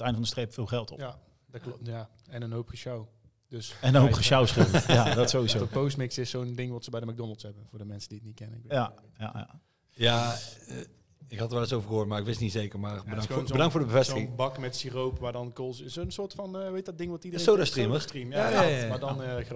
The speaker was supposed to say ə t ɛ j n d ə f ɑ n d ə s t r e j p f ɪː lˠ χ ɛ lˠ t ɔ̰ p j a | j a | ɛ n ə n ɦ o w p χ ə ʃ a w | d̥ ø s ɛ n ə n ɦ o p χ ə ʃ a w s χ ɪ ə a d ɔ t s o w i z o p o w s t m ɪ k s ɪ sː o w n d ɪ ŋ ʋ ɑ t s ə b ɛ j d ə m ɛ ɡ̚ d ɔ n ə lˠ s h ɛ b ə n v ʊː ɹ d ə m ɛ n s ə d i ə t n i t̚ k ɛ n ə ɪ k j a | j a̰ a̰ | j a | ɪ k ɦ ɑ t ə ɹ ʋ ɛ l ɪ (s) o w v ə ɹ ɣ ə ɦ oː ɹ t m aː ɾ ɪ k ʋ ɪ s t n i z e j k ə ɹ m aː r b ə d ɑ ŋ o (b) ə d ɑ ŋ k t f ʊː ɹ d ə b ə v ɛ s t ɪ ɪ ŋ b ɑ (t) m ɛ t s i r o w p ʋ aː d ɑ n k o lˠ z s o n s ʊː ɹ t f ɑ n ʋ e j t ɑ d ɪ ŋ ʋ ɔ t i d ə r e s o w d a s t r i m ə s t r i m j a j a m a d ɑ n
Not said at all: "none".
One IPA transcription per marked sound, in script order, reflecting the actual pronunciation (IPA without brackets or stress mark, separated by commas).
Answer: s, b, k